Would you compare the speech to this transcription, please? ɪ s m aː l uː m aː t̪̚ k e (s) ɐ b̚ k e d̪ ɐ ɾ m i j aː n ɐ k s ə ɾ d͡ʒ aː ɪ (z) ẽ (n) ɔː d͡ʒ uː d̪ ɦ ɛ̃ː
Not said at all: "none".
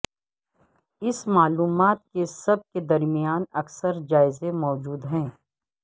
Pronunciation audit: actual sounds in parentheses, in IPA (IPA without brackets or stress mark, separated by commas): s, z, m